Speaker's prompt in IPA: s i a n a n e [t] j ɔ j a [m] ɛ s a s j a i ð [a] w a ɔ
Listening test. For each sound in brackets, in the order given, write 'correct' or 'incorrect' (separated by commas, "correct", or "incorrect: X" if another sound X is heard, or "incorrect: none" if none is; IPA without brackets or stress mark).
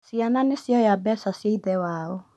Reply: incorrect: s, incorrect: b, incorrect: ɛ